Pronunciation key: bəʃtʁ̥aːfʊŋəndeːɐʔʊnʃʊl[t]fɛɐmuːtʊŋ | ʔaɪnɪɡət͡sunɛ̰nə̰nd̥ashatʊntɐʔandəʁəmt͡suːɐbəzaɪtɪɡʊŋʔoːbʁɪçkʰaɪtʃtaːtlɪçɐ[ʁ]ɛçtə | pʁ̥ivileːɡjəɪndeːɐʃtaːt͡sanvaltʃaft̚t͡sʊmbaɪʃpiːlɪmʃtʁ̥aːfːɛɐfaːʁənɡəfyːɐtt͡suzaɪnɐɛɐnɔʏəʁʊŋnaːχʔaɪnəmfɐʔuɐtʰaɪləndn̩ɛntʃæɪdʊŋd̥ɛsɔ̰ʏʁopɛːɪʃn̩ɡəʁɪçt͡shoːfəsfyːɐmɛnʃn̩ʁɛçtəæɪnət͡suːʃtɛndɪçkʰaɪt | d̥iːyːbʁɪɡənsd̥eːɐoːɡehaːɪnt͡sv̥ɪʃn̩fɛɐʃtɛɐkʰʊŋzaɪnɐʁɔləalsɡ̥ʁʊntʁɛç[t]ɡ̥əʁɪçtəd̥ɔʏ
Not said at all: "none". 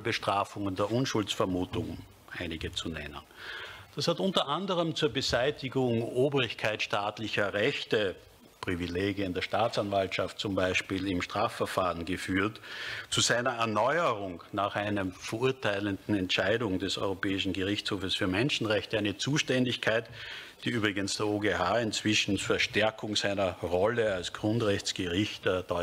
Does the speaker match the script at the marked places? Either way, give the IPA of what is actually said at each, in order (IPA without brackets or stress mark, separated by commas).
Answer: t͡s, ʁ, t͡s